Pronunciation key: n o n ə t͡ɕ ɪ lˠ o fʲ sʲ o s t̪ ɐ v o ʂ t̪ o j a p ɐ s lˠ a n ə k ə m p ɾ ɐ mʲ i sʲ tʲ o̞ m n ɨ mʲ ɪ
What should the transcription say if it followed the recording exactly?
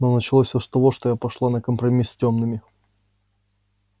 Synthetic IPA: n o n ə t͡ɕ ɪ lˠ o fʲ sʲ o s t̪ ɐ v o ʂ t̪ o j a p ɐ ʂ lˠ a n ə k ə m p ɾ ɐ mʲ i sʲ tʲ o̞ m n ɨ mʲ ɪ

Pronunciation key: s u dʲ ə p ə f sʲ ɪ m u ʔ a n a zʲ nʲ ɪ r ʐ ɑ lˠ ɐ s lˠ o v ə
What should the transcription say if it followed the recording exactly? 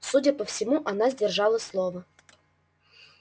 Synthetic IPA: s u dʲ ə p ə f sʲ ɪ m u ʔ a n a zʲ dʲ ɪ r ʐ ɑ lˠ ə s lˠ o v ə

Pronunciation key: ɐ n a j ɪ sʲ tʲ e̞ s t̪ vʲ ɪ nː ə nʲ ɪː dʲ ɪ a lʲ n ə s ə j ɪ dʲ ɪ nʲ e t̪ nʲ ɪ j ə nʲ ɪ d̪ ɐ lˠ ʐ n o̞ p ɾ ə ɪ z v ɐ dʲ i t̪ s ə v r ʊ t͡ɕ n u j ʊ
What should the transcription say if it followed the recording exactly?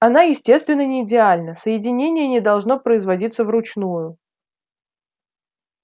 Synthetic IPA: ɐ n a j ɪ sʲ tʲ e̞ s t̪ vʲ ɪ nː ə nʲ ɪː dʲ ɪ a lʲ n ə s ə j ɪ dʲ ɪ nʲ e nʲ ɪ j ə nʲ ɪ d̪ ɐ lˠ ʐ n o̞ p ɾ ə ɪ z v ɐ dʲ i t̪ s ə v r ʊ t͡ɕ n u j ʊ

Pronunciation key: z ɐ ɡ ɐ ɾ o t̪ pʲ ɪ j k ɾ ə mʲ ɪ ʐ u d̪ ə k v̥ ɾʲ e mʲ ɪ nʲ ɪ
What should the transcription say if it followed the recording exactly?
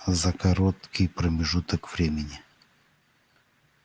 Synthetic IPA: z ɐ k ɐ ɾ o t̪ kʲ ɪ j p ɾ ə mʲ ɪ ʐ u t̪ ə k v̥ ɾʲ e mʲ ɪ nʲ ɪ

